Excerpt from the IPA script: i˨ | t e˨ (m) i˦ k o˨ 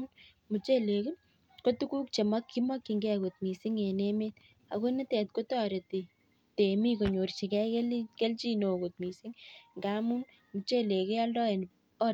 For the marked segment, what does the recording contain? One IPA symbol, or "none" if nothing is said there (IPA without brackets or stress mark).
m